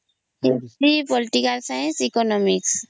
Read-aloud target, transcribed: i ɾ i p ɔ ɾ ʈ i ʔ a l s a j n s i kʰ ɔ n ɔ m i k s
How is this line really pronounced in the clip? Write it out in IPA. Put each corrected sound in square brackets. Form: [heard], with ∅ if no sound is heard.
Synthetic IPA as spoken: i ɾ i p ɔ [l] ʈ i [k] a l s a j n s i [k] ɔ n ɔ m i k s